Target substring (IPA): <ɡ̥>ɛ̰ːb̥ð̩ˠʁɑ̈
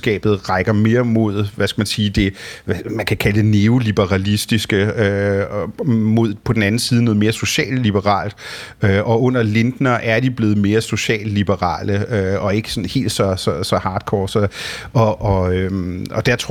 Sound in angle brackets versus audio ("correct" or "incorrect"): correct